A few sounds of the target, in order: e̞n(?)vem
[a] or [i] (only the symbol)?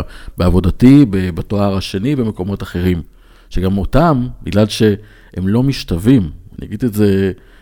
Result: i